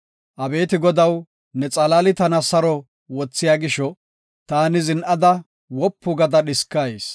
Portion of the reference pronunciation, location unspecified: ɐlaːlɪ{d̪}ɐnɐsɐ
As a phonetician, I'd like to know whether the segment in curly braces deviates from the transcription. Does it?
yes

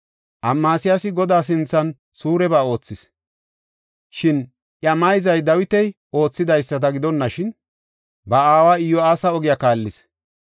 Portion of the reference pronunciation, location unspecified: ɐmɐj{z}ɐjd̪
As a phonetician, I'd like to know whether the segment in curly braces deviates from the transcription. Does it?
no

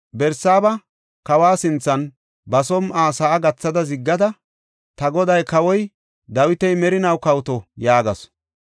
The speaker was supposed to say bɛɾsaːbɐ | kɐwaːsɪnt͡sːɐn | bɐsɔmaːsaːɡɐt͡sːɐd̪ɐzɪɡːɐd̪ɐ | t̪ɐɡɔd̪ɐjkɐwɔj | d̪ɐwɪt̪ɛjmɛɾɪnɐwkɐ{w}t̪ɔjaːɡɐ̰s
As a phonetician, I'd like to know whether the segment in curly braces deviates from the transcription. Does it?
no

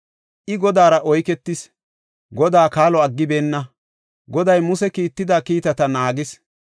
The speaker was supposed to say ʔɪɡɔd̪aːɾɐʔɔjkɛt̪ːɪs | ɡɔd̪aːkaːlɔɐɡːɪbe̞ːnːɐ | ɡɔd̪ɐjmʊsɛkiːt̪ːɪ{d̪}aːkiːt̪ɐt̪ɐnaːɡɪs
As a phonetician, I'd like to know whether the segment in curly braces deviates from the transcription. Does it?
no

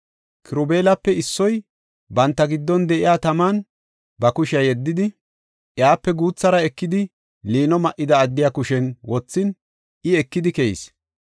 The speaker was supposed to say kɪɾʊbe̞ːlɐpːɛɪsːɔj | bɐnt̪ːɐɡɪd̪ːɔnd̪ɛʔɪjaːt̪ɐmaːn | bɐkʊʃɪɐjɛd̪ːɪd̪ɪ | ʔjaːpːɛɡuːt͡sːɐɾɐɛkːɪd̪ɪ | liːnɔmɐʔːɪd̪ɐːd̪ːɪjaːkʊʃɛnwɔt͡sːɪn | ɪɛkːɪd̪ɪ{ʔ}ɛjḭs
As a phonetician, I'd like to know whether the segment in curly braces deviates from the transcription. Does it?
yes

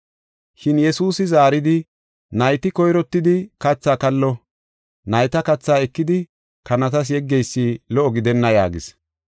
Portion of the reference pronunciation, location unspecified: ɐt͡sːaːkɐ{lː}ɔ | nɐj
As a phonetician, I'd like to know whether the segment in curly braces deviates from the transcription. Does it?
no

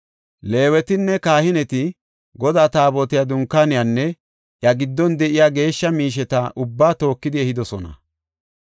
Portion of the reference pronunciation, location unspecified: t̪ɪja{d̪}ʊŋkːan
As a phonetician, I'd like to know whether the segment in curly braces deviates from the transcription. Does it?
no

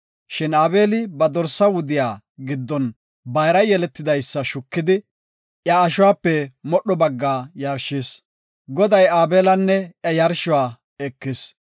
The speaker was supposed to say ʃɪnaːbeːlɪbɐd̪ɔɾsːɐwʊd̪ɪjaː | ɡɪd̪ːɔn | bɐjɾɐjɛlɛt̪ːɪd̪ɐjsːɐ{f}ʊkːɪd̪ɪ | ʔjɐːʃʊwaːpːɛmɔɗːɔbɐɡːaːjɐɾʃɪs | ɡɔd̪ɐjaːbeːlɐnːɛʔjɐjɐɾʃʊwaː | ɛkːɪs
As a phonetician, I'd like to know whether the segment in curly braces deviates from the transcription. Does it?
yes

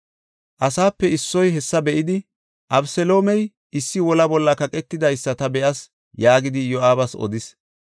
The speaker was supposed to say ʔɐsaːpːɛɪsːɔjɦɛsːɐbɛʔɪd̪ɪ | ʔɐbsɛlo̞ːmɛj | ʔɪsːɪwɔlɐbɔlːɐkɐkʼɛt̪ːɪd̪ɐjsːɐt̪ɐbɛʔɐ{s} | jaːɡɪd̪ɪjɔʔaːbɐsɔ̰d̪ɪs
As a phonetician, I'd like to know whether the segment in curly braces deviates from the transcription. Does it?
no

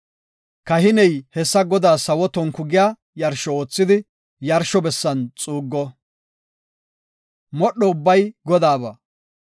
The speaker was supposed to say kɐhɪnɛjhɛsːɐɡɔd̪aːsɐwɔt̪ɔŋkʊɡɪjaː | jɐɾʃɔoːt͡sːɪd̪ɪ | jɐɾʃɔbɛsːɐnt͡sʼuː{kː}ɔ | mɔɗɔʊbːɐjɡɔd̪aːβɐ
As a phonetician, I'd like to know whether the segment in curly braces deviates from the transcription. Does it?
yes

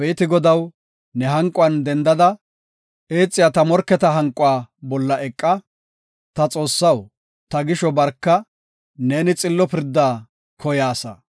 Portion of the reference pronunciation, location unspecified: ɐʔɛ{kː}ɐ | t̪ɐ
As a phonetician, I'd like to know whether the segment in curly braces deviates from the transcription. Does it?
yes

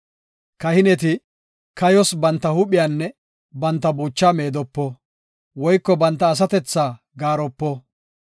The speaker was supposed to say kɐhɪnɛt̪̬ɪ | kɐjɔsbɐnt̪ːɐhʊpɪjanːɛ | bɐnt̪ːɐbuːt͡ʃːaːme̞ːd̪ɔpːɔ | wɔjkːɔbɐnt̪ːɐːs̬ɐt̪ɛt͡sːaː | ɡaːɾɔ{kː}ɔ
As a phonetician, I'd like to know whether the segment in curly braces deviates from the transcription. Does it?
yes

